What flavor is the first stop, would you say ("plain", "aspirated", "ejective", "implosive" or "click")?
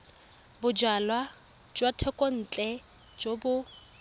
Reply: plain